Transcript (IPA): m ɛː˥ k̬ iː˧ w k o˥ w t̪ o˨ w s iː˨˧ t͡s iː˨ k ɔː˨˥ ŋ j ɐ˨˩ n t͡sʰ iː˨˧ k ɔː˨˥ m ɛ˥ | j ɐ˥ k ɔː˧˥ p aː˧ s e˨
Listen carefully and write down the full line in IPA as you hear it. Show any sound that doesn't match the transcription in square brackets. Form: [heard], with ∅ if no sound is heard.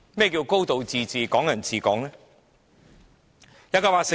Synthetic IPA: m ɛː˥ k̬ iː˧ w k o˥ w t̪ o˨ w [t͡s] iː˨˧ t͡s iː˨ k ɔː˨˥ ŋ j ɐ˨˩ n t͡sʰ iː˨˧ k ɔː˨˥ [ŋ] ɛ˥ | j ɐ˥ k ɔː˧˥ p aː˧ s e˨